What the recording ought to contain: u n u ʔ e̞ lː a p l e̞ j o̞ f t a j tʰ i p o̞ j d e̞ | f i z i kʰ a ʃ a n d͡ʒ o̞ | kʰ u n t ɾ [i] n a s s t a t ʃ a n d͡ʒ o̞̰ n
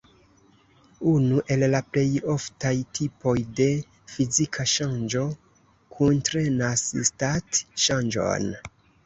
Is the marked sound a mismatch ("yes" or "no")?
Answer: yes